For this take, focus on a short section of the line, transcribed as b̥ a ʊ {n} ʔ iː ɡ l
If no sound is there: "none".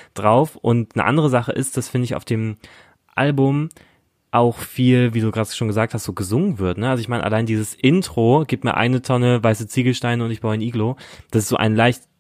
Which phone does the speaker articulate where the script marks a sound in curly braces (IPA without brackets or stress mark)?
n